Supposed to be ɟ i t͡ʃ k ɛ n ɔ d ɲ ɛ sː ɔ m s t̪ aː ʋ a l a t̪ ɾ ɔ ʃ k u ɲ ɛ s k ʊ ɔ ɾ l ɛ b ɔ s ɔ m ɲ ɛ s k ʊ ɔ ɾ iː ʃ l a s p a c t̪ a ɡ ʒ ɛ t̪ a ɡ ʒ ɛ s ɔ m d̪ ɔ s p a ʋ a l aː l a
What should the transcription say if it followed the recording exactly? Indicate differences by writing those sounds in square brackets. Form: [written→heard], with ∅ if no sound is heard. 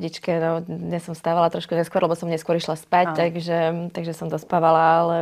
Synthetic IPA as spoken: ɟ i t͡ʃ k ɛ n ɔ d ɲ ɛ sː ɔ m s t̪ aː ʋ a l a t̪ ɾ ɔ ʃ k u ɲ ɛ s k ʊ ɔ ɾ l ɛ b ɔ s ɔ m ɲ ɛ s k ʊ ɔ ɾ [iː→i] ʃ l a s p a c t̪ a ɡ ʒ ɛ t̪ a ɡ ʒ ɛ s ɔ m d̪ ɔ s p a ʋ a l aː l [a→ɛ]